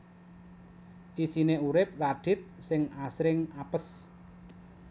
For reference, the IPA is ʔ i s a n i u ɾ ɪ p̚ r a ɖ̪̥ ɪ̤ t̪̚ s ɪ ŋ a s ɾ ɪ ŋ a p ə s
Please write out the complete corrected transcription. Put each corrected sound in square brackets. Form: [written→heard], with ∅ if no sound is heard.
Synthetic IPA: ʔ i s [a→i] n [i→e] u ɾ ɪ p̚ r a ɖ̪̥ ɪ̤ t̪̚ s ɪ ŋ a s ɾ ɪ ŋ a p ə s